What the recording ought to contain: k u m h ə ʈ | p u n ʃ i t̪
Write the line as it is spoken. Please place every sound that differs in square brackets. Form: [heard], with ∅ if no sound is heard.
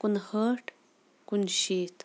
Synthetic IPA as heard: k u [n] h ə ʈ | [k] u n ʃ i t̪